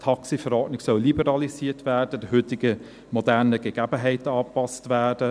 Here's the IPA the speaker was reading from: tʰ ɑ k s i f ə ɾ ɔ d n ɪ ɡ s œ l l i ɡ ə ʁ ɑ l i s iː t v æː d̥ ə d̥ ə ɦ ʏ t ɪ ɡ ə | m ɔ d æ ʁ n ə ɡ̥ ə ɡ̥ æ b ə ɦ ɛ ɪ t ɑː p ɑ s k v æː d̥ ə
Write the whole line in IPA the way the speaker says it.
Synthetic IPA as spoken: tʰ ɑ k s i f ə ɾ ɔ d n ɪ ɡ s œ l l i b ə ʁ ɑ l i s iː t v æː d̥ ə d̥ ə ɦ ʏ t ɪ ɡ ə | m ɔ d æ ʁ n ə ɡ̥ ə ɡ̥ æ b ə ɦ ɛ ɪ t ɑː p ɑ s t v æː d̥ ə